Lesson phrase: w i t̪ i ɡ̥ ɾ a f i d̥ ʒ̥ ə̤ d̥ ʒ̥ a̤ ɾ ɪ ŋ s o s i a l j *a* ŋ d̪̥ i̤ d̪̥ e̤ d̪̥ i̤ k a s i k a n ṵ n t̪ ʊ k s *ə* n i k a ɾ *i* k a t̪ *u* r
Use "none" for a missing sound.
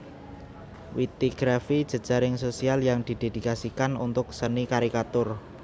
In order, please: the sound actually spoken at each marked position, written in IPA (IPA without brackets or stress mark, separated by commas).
a, ə, i, ʊ